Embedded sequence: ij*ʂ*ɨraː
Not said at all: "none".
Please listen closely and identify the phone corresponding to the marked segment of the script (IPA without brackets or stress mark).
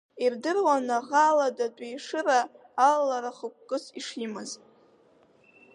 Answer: ʂ